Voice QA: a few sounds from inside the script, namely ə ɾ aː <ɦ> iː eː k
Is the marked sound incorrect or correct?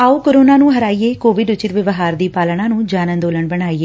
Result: incorrect